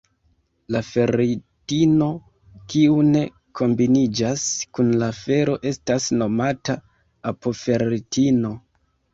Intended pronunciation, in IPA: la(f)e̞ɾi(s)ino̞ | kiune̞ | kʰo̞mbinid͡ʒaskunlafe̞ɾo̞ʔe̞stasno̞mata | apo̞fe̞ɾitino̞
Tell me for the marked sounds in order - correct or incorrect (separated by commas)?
correct, incorrect